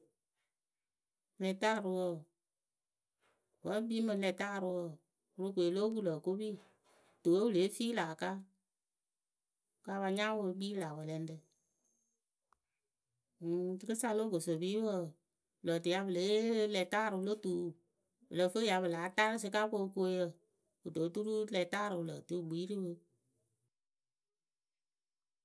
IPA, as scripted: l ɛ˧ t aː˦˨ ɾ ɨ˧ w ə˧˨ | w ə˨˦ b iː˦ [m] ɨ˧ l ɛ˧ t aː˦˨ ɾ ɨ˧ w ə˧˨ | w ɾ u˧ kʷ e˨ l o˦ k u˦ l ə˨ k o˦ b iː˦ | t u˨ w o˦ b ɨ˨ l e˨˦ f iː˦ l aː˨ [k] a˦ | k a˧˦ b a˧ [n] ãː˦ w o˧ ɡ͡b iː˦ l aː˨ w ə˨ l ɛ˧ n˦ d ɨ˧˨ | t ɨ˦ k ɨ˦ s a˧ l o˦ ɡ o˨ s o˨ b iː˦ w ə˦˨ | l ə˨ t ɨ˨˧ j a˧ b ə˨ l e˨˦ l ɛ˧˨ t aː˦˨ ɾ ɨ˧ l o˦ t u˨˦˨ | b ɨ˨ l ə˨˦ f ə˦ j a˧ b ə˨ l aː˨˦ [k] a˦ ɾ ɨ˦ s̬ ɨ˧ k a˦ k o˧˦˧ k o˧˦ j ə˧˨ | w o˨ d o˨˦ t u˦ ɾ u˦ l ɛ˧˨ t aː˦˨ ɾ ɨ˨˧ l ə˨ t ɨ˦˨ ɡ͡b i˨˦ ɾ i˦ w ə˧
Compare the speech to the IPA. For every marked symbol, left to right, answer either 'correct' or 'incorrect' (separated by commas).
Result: correct, correct, incorrect, incorrect